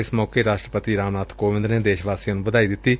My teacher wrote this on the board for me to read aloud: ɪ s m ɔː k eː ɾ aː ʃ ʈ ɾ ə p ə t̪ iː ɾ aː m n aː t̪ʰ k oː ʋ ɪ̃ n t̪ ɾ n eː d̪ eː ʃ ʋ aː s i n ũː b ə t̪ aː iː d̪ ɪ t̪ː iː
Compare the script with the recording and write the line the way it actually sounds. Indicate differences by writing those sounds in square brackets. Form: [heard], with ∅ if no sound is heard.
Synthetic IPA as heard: ɪ s m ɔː k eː ɾ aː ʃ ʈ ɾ ə p ə t̪ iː ɾ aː m n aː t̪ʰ k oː ʋ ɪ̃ n [d̪] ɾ n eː d̪ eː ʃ ʋ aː s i n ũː b ə [d̪] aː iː d̪ ɪ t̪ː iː